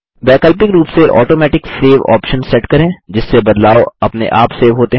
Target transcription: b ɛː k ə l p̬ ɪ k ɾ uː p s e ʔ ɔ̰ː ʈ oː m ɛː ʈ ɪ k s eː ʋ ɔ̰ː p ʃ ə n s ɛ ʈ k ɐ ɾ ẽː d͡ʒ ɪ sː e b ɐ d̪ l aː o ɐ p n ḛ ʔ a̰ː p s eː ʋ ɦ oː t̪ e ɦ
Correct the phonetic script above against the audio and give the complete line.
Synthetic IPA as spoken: b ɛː k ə l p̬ ɪ k ɾ uː p s e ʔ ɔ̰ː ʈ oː m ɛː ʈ ɪ k s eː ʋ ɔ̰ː p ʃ ə n s ɛ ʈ k ɐ ɾ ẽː d͡ʒ ɪ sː e b ɐ d̪ l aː o ɐ p n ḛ ʔ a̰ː p s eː ʋ ɦ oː t̪ e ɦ